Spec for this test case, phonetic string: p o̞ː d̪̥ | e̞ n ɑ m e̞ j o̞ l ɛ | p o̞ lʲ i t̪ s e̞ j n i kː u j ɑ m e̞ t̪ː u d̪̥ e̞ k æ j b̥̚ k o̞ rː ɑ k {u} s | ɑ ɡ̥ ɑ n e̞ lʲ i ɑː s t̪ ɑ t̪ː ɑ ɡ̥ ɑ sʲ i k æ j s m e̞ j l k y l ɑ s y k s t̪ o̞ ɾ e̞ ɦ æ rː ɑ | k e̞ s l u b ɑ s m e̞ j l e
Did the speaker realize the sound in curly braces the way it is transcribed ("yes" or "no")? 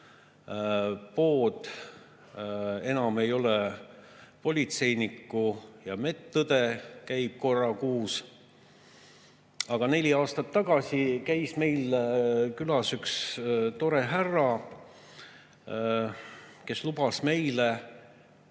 no